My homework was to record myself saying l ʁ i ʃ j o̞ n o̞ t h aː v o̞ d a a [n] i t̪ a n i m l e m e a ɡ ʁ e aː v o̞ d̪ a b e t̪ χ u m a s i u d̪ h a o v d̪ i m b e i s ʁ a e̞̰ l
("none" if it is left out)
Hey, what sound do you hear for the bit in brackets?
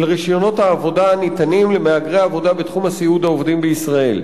n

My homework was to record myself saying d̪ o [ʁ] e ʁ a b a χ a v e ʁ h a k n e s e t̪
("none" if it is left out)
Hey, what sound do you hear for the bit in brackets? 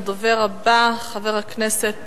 v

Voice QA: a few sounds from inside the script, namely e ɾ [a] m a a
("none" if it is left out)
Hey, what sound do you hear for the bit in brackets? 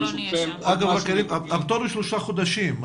i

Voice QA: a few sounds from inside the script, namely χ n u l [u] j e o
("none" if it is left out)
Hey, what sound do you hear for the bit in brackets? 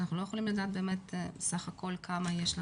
o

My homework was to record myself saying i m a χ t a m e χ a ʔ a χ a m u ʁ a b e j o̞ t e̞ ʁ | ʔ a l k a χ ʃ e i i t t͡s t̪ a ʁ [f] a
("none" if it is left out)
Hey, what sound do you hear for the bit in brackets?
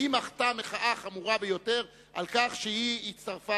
f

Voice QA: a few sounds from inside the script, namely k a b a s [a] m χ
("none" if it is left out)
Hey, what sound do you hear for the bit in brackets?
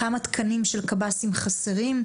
i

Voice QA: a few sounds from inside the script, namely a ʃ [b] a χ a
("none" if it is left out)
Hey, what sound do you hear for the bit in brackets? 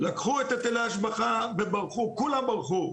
b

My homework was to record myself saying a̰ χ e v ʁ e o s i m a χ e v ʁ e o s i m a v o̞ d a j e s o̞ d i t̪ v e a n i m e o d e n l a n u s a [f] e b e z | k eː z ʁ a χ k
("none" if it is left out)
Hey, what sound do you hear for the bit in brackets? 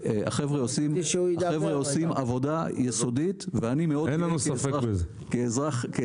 f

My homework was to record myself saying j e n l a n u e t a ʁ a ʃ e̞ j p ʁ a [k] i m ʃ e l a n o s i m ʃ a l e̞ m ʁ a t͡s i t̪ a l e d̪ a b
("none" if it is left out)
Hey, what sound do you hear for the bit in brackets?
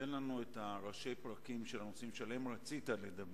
k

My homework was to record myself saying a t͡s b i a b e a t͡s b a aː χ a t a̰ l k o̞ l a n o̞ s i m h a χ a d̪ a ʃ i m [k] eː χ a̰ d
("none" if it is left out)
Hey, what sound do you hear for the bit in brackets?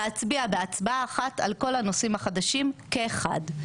k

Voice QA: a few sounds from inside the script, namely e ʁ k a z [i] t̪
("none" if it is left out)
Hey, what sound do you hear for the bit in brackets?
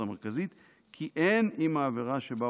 i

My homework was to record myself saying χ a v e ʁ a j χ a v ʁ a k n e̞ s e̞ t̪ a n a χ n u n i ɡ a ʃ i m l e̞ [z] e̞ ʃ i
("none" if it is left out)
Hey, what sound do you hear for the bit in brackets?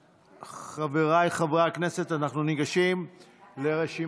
ʁ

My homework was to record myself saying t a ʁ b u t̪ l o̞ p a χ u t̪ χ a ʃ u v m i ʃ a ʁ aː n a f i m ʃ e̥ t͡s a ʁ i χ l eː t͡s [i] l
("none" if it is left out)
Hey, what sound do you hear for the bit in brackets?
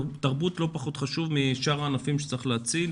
i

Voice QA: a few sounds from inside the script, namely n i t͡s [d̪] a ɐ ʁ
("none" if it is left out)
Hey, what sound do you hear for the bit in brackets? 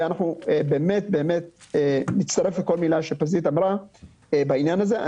t̪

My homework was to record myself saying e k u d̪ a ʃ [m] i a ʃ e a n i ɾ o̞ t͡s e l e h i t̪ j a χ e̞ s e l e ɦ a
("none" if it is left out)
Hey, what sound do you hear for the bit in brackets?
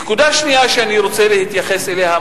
n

